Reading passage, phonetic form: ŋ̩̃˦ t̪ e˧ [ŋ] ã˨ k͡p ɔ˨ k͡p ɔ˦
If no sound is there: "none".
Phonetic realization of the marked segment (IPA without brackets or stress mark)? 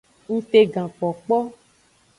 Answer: ɡ